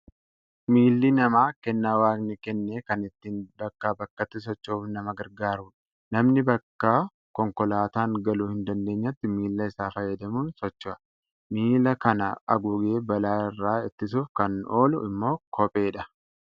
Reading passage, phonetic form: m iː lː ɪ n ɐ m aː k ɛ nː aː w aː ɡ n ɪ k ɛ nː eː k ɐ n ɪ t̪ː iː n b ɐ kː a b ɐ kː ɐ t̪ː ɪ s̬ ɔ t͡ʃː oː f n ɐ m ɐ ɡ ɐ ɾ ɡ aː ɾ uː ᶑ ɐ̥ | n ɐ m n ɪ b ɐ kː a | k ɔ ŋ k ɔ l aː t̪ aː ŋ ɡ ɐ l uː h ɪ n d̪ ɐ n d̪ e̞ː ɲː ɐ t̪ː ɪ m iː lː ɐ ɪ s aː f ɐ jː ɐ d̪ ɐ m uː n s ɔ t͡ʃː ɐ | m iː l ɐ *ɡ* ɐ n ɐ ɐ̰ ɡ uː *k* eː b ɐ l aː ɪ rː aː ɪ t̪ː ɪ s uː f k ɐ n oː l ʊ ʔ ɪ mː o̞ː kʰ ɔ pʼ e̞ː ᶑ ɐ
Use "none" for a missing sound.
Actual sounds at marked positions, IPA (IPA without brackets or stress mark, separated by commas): k, ɡ